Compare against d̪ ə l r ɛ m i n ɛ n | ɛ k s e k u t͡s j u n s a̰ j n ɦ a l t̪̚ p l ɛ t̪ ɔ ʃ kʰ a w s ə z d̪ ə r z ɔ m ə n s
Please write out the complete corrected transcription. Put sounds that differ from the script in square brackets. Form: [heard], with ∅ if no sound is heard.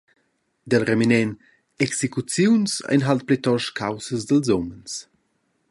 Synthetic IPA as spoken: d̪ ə l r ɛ m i n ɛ n | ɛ k s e k u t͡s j u n s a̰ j n ɦ a l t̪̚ p l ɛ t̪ ɔ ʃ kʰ a w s ə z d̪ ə [l] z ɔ m ə n s